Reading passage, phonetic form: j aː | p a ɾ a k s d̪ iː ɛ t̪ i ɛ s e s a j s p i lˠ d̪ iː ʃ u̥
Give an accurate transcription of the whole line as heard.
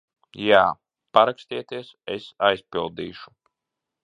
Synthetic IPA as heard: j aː | p a ɾ a k s t̪ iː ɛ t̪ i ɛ s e s a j s p i lˠ d̪ iː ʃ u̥